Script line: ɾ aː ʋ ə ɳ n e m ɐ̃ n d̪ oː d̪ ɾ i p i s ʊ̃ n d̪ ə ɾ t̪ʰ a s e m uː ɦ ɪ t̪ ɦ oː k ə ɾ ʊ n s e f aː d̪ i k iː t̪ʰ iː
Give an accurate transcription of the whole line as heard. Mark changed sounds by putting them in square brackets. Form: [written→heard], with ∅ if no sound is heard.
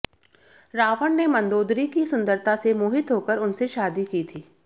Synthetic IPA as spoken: ɾ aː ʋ ə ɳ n e m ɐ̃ n d̪ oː d̪ ɾ i [p→k] i s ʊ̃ n d̪ ə ɾ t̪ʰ a s e m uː ɦ ɪ t̪ ɦ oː k ə ɾ ʊ n s e [f→ʃ] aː d̪ i k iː t̪ʰ iː